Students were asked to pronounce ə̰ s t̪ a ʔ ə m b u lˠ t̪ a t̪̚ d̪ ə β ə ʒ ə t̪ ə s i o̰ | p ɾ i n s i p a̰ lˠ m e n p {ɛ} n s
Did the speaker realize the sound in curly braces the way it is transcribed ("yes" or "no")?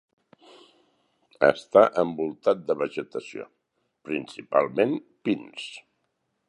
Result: no